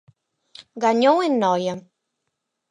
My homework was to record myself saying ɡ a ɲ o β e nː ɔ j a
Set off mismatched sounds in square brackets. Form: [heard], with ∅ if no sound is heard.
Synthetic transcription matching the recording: ɡ a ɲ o [w] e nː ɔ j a